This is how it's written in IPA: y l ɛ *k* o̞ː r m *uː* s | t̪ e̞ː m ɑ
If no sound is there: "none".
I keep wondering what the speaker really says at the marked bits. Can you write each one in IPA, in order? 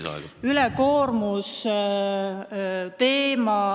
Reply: k, u

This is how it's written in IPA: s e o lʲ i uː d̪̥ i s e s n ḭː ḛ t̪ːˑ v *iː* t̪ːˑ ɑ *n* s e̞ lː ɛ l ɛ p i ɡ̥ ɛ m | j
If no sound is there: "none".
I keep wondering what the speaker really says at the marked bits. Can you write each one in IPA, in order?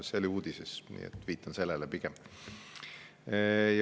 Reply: iː, n

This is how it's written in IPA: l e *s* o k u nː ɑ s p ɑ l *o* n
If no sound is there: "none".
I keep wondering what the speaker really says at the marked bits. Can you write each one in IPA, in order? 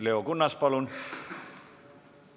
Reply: none, u

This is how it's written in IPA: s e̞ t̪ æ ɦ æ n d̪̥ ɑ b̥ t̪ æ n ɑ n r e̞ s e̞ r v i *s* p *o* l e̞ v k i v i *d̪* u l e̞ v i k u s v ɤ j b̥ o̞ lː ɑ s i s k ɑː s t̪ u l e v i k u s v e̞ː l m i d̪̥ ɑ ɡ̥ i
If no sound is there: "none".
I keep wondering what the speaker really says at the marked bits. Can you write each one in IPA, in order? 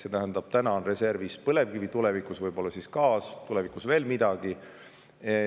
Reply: s, ɤ, t̪

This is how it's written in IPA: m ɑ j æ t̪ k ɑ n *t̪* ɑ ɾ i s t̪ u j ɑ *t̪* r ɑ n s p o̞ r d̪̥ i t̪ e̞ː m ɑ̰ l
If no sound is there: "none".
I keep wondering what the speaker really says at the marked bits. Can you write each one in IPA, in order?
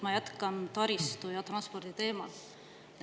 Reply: t̪, t̪

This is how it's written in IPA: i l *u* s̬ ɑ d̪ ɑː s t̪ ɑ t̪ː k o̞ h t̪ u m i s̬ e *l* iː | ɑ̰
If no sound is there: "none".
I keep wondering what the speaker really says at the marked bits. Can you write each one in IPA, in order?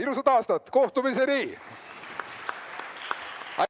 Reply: u, ɾ

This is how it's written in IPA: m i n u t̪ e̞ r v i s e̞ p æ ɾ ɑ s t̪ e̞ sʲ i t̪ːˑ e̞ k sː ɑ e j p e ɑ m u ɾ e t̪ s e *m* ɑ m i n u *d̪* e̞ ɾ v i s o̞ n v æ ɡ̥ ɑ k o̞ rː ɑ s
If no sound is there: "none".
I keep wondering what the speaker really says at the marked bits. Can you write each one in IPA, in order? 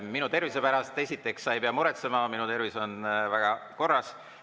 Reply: m, t̪

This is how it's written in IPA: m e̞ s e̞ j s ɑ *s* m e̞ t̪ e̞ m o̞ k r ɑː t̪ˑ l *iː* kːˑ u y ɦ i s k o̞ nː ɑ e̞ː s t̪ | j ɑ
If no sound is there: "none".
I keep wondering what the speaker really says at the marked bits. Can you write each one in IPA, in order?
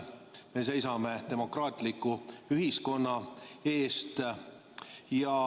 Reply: none, i

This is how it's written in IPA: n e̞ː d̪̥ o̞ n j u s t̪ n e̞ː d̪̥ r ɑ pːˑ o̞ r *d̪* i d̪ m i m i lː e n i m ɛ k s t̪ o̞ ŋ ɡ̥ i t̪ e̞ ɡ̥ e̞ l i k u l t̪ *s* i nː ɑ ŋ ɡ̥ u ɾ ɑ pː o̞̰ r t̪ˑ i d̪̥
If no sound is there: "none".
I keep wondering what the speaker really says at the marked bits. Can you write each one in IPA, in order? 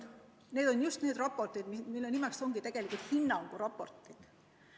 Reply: t̪, h

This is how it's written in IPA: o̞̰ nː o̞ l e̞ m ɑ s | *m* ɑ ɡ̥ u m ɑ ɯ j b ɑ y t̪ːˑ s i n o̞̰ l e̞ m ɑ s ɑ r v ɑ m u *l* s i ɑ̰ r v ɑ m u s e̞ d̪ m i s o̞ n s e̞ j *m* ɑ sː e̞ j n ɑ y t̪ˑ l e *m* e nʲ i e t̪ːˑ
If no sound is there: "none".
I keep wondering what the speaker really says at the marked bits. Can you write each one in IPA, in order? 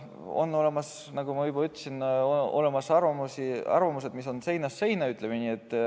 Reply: n, none, n, m

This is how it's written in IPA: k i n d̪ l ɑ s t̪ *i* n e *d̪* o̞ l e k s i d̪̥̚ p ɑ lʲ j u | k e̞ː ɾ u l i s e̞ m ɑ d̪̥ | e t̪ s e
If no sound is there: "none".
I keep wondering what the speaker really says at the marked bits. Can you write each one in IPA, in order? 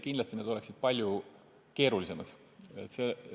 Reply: i, d̪

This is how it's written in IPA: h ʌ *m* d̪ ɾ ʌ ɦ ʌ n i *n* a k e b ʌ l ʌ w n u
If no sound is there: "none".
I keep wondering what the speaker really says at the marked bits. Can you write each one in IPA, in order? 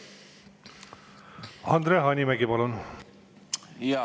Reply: n, m

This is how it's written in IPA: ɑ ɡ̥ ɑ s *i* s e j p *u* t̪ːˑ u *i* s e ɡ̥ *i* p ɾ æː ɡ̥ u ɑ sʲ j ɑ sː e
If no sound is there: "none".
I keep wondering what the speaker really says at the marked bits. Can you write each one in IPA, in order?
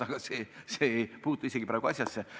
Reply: e, uː, i, i

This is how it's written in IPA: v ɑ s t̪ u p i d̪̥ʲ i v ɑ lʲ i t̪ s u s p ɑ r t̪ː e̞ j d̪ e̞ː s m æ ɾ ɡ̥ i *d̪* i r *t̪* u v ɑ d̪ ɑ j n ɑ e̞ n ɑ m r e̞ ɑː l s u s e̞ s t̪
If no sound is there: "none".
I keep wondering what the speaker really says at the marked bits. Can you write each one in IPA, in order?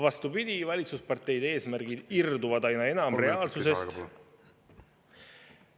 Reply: d̪, d̪

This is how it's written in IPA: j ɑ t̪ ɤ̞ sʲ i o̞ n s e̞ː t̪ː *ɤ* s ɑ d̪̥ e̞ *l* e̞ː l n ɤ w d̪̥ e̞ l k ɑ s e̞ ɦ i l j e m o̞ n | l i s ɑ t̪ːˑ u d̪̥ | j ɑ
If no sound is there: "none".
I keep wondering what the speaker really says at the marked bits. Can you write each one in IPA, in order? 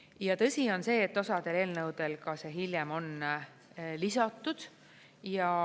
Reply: o, l

